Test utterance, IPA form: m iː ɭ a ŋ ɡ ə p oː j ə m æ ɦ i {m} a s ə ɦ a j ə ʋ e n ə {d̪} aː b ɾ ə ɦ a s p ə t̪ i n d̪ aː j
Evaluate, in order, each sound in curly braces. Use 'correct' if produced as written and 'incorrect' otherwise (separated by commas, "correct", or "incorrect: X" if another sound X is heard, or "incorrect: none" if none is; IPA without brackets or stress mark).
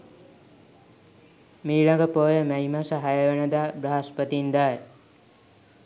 correct, correct